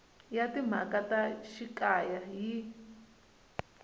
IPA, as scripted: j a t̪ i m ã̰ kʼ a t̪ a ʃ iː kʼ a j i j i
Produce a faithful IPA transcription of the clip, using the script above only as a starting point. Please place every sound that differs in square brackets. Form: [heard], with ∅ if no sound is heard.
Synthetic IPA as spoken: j a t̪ i m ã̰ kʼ a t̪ a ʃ [i] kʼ a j [a] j i